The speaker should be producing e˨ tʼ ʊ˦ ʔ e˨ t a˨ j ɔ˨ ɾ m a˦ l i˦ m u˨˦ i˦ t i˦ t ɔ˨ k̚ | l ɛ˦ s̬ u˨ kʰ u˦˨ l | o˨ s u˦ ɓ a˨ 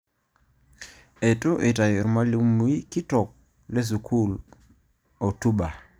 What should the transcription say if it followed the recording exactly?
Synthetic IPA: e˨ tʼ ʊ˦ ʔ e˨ t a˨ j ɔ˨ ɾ m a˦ l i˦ m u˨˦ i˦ k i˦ t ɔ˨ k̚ | l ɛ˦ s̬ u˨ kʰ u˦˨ l | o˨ t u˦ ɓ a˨